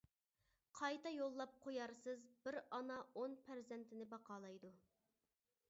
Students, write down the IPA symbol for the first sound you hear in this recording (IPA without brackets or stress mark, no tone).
qʰ